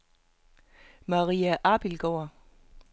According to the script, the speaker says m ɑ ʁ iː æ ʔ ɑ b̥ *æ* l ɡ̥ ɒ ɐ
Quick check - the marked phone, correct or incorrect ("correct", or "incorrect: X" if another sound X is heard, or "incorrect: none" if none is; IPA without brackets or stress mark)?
incorrect: i